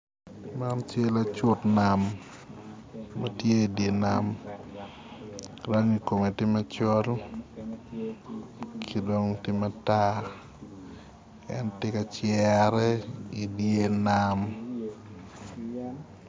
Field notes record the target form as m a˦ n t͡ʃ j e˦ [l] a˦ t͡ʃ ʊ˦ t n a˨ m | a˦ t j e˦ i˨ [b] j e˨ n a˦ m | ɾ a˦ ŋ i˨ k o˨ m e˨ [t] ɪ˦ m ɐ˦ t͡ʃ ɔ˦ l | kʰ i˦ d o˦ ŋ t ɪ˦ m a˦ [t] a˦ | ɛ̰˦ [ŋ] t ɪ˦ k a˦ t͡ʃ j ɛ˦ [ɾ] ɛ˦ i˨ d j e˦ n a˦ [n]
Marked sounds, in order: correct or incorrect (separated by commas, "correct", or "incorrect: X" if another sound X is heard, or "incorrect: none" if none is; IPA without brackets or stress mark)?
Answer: correct, incorrect: d, correct, correct, incorrect: n, correct, incorrect: m